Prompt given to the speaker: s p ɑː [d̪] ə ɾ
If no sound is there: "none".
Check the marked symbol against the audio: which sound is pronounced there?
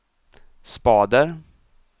d̪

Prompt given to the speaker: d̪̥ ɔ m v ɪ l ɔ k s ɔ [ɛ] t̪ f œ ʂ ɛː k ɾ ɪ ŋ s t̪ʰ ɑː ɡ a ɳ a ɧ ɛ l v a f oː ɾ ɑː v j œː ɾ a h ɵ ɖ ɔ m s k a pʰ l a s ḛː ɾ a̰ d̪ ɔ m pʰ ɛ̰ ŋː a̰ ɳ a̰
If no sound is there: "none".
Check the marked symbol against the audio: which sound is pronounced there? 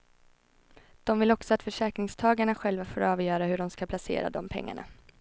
a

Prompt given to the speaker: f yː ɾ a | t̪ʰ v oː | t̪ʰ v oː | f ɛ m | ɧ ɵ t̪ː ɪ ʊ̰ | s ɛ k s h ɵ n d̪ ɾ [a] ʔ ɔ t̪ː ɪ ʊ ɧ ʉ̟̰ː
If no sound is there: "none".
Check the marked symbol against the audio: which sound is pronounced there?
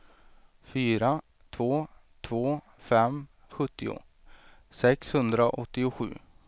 a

